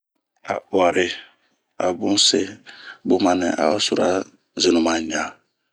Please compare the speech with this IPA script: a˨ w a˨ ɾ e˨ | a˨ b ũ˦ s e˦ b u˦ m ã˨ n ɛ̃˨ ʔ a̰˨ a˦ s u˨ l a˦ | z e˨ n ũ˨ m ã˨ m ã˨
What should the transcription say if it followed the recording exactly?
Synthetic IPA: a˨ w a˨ ɾ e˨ | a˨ b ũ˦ s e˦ b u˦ m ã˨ n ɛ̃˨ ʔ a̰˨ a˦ s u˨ ɾ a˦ | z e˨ n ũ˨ m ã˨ ɲ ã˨